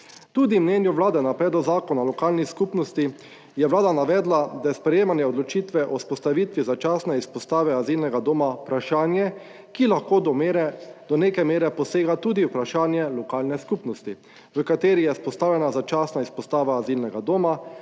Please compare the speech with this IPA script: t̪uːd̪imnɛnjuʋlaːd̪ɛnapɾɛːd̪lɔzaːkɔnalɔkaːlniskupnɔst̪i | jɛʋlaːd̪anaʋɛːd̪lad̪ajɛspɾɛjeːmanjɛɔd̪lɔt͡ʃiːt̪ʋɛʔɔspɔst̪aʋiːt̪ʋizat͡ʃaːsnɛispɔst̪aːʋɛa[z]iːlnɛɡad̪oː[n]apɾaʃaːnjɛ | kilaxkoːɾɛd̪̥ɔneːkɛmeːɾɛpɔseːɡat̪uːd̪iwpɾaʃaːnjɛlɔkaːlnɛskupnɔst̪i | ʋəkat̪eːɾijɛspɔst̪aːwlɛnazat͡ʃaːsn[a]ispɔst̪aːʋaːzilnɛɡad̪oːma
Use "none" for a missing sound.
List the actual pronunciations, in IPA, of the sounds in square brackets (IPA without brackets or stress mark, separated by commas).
z, m, a